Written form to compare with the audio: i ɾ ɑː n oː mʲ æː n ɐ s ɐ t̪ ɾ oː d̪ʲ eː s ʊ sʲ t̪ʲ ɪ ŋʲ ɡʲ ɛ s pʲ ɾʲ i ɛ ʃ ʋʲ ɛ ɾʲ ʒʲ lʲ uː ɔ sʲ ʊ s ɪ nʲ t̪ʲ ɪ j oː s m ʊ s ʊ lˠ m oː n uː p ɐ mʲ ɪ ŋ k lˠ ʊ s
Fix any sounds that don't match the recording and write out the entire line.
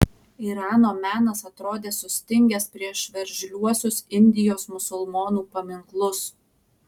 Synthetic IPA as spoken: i ɾ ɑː n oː mʲ æː n ɐ s ɐ t̪ ɾ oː d̪ʲ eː s ʊ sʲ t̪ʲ ɪ ŋʲ ɡʲ ɛ s pʲ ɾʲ i ɛ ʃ ʋʲ ɛ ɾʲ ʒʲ lʲ u ɔ sʲ ʊ s ɪ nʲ d̪ʲ ɪ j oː s m ʊ s ʊ lˠ m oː n uː p ɐ mʲ ɪ ŋ k lˠ ʊ s